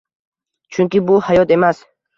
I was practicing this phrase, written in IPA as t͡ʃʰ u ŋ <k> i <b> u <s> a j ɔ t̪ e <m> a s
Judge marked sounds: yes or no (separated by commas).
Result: yes, yes, no, yes